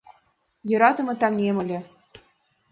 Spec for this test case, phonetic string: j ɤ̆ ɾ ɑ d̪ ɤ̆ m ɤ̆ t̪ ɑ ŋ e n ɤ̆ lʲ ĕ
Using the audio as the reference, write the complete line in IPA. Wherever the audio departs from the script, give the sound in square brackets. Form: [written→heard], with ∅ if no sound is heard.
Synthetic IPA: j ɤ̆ ɾ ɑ [d̪→t̪] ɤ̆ m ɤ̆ t̪ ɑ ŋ e [n→m] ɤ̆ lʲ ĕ